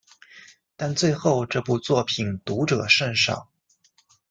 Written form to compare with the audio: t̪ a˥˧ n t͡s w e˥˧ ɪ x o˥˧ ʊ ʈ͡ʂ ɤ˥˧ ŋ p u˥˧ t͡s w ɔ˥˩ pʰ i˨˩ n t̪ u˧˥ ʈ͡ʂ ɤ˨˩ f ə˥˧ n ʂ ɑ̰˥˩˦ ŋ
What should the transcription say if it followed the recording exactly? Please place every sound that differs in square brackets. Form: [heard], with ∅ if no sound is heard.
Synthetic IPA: t̪ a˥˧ n t͡s w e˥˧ ɪ x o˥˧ ʊ ʈ͡ʂ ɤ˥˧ [∅] p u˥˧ t͡s w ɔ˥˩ pʰ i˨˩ n t̪ u˧˥ ʈ͡ʂ ɤ˨˩ [ʂ] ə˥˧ n ʂ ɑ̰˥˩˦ ŋ